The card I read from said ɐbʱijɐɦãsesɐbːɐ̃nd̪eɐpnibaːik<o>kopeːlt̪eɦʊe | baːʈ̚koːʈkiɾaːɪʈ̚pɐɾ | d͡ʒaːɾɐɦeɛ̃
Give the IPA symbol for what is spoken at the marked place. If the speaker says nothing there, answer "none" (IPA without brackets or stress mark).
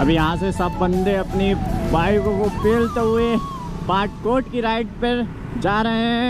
o